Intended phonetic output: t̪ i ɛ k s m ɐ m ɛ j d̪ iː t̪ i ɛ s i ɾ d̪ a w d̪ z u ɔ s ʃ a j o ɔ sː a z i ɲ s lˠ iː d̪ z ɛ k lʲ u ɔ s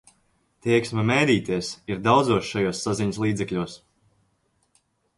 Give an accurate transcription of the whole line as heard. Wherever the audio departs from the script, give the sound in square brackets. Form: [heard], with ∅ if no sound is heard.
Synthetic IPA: t̪ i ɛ k s m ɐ m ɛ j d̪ iː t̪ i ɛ s i ɾ d̪ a w d̪ z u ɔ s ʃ a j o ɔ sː a z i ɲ s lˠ iː d̪ z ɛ k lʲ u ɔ s